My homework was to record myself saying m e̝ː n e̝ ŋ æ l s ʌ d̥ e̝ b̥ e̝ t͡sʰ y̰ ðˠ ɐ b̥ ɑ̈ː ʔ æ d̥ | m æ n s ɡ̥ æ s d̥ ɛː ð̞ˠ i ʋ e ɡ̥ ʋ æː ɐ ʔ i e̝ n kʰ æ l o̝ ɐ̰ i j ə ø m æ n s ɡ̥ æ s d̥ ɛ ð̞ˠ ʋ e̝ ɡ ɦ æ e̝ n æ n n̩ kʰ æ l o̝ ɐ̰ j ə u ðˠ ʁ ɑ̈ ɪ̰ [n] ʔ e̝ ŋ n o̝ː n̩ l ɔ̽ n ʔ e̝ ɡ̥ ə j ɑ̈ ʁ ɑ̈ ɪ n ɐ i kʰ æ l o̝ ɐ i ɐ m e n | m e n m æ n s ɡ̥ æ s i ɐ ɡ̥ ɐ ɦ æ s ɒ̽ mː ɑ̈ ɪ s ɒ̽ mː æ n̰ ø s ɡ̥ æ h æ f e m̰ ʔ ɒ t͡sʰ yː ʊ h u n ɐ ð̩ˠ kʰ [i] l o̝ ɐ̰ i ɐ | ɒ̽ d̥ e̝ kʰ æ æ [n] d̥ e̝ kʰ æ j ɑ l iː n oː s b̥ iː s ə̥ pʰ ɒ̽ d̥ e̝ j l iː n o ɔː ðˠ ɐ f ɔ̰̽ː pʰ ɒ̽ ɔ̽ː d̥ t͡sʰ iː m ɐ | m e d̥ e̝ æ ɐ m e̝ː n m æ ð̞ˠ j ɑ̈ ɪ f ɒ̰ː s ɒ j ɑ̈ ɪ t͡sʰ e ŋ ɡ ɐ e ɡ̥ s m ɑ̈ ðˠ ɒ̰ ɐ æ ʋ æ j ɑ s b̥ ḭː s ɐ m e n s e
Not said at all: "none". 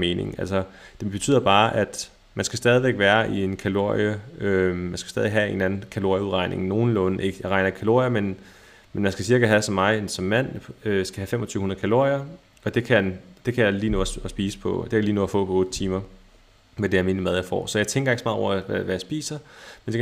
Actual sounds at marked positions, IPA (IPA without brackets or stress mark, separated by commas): n, æ, n